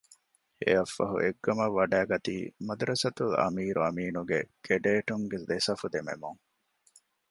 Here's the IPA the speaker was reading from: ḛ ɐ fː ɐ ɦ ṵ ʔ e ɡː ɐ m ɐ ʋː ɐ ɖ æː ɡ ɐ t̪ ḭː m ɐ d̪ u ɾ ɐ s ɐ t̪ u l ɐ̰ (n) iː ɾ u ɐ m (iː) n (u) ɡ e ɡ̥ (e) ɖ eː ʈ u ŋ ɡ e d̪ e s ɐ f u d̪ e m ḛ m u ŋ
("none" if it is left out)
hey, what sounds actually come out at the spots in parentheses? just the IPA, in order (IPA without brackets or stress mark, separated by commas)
m, iː, u, e